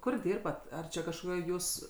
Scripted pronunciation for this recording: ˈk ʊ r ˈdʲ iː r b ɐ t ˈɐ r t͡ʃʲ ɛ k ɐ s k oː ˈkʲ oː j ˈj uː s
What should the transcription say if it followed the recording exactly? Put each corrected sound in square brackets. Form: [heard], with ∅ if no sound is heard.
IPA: ˈk ʊ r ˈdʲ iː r b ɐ t ˈɐ r t͡ʃʲ ɛ k ɐ [ʃ] k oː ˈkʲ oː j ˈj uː s